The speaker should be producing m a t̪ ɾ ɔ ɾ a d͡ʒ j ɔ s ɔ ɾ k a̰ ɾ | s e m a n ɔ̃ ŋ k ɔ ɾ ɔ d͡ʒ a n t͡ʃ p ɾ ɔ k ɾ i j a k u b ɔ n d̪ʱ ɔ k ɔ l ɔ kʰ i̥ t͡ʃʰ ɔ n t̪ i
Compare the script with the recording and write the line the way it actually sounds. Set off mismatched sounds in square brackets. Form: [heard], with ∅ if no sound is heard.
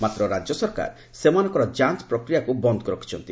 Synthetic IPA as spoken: m a t̪ ɾ ɔ ɾ a d͡ʒ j ɔ s ɔ ɾ k a̰ ɾ | s e m a n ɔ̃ ŋ k ɔ ɾ ɔ d͡ʒ a n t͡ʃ p ɾ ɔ k ɾ i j a k u b ɔ n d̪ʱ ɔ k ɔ [ɾ] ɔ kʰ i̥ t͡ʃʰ ɔ n t̪ i